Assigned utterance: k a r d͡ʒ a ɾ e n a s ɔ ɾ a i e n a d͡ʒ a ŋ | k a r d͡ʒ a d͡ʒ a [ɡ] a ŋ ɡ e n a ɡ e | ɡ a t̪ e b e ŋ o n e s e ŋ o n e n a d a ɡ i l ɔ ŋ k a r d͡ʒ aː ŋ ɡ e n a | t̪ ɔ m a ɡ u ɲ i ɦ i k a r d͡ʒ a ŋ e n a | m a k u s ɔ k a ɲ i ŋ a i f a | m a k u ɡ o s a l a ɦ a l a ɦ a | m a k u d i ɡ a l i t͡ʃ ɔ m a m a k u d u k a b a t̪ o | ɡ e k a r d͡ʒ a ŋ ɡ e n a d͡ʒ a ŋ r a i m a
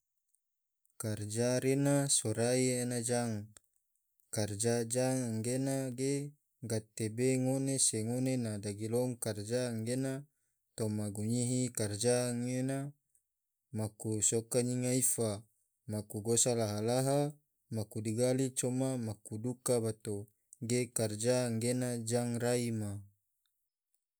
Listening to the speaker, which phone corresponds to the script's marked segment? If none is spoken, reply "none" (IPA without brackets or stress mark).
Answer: ŋ